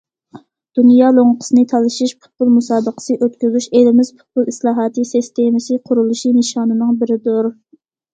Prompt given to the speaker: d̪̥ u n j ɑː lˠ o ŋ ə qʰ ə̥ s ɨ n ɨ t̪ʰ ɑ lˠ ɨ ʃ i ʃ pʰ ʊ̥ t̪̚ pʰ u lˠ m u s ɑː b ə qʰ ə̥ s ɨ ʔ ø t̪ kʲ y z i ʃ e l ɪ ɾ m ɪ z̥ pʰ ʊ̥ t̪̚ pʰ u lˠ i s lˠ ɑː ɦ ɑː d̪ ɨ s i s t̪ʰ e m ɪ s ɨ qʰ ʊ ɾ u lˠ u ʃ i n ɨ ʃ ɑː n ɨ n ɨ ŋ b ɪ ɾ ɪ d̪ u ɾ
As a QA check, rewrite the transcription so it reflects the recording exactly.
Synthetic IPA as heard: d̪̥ u n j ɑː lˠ o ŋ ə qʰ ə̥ s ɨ n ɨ t̪ʰ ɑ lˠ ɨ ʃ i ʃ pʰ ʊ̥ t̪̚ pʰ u lˠ m u s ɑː b ə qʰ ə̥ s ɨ ʔ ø t̪ kʲ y z y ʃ e l ɪ m ɪ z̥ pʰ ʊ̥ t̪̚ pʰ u lˠ i s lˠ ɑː ɦ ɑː t̪ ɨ s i s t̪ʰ e m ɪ s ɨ qʰ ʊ ɾ u lˠ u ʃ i n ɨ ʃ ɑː n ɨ n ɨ ŋ b ɪ ɾ ɪ d̪ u ɾ

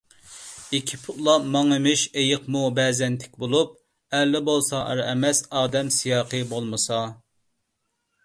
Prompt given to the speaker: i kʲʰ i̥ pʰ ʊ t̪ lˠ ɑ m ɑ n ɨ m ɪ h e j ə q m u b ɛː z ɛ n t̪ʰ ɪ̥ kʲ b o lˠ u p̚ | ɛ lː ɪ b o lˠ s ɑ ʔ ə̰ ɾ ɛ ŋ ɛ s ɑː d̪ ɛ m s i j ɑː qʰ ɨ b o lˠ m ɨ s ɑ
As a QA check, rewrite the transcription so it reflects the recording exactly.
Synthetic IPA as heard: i kʲʰ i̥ pʰ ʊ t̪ lˠ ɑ m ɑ ŋ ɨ m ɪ ʃ e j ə q m u b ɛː z ɛ n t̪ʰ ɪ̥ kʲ b o lˠ u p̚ | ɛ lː ɪ b o lˠ s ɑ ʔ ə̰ ɾ ɛ m ɛ s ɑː d̪ ɛ m s i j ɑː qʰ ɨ b o lˠ m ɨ s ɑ

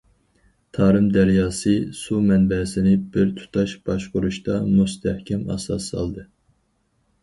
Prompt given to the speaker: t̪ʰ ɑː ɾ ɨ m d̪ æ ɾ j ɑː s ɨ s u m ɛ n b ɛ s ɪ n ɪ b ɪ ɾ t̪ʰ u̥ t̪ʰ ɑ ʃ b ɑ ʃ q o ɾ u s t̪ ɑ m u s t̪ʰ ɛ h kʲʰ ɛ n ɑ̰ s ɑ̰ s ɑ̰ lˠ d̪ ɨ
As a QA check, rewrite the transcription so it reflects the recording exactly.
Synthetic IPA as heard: t̪ʰ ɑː ɾ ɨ m d̪ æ ɾ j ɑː s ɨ s u m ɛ n b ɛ s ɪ n ɪ b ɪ ɾ t̪ʰ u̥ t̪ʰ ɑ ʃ b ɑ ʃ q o ɾ u ʃ t̪ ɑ m u s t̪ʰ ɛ h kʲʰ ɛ m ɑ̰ s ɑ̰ s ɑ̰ lˠ d̪ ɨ

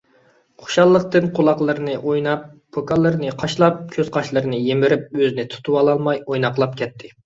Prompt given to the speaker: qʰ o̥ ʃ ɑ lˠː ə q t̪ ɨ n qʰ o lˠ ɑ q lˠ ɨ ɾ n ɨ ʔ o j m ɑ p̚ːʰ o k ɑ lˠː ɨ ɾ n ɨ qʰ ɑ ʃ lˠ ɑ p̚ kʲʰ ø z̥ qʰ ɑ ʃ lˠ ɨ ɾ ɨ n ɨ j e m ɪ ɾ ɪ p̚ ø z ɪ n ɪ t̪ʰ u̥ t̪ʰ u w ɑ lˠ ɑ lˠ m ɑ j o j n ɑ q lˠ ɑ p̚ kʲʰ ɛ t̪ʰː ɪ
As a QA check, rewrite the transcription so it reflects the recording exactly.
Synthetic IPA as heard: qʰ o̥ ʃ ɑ lˠː ə q t̪ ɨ n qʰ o lˠ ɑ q lˠ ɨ ɾ n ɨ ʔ o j n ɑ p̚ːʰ o k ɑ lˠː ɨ ɾ n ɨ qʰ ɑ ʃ lˠ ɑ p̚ kʲʰ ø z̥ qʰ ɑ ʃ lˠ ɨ ɾ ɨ n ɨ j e m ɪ ɾ ɪ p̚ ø z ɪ n ɪ t̪ʰ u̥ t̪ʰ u w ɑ lˠ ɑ lˠ m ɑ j o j n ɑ q lˠ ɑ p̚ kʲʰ ɛ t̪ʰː ɪ

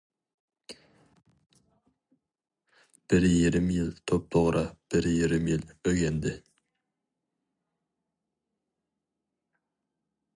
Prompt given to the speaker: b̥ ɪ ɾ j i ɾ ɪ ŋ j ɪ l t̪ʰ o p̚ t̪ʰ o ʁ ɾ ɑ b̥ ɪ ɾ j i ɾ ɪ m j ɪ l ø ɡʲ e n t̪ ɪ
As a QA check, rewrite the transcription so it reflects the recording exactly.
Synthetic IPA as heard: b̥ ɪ ɾ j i ɾ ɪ m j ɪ l t̪ʰ o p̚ t̪ʰ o ʁ ɾ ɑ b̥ ɪ ɾ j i ɾ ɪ m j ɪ l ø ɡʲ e n d̪ ɪ

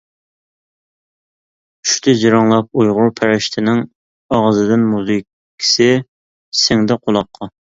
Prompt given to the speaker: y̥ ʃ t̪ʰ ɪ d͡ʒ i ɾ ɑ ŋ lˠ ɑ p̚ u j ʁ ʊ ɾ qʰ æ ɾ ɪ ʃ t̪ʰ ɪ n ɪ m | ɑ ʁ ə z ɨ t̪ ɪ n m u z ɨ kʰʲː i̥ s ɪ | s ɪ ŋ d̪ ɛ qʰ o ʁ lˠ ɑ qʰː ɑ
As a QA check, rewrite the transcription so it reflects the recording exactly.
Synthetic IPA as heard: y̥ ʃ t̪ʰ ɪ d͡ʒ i ɾ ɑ ŋ lˠ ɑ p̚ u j ʁ ʊ ɾ pʰ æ ɾ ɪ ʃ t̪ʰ ɪ n ɪ ŋ | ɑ ʁ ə z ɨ d̪ ɪ n m u z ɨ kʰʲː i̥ s ɪ | s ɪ ŋ d̪ ɛ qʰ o lˠ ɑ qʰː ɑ

